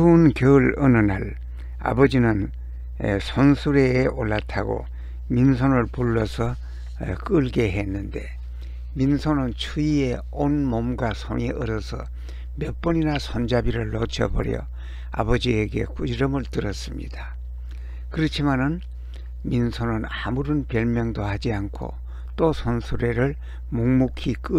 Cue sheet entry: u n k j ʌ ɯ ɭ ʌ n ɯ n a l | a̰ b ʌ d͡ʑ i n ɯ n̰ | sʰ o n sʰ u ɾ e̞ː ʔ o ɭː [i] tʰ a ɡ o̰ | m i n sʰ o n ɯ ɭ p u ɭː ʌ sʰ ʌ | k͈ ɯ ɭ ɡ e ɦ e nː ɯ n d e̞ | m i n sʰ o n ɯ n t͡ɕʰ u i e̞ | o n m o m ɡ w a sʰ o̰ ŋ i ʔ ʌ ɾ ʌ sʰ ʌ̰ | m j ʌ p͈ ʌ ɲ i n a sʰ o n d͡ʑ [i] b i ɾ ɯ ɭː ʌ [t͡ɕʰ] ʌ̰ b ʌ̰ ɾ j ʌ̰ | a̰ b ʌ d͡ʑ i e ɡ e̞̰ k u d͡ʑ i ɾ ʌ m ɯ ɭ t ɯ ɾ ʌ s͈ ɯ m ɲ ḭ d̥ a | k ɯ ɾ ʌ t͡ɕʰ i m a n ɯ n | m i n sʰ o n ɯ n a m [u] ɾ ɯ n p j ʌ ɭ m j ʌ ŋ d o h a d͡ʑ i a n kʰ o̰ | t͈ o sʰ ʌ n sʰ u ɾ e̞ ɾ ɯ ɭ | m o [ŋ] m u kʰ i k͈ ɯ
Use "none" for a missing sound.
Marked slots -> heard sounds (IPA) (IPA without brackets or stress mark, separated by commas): a, a, t͡ɕʰ, u, ŋ